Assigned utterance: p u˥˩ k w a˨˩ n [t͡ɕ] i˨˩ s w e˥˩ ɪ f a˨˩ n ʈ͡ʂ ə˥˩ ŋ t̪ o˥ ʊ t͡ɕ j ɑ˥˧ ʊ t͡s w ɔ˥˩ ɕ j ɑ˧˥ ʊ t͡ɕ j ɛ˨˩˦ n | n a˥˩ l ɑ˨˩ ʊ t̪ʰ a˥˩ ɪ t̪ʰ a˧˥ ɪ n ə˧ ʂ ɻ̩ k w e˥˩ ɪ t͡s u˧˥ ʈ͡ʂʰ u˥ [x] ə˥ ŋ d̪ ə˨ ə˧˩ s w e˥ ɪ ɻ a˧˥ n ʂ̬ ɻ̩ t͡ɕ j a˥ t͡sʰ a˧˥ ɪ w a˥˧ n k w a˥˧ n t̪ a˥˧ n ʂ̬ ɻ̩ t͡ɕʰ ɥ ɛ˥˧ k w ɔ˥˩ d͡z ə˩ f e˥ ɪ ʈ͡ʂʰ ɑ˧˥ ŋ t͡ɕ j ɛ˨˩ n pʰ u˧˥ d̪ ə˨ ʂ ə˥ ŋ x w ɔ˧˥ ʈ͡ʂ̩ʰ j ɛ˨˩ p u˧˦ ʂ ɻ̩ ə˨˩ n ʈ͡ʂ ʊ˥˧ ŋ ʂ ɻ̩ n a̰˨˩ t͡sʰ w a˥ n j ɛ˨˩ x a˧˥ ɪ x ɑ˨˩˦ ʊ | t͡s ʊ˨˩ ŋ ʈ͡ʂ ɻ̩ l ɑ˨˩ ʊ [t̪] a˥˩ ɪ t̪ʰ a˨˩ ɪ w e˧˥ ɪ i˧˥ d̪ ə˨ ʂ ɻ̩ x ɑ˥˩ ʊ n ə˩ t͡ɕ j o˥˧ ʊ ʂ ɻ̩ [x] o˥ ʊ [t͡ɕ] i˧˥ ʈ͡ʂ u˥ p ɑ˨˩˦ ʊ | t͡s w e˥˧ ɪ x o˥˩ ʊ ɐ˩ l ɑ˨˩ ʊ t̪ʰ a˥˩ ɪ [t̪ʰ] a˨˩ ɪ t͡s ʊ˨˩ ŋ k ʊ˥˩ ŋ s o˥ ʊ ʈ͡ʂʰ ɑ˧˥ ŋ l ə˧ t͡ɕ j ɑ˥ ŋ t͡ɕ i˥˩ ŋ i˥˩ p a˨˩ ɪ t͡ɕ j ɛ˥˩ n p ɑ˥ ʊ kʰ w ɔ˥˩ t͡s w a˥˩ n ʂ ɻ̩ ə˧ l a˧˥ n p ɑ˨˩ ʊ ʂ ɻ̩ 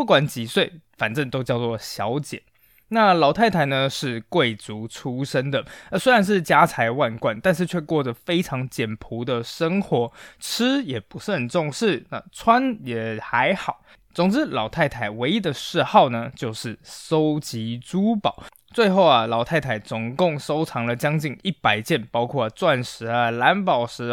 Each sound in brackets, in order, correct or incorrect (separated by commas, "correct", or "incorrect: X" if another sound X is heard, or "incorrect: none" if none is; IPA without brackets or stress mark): correct, incorrect: ʂ, incorrect: t̪ʰ, incorrect: s, correct, correct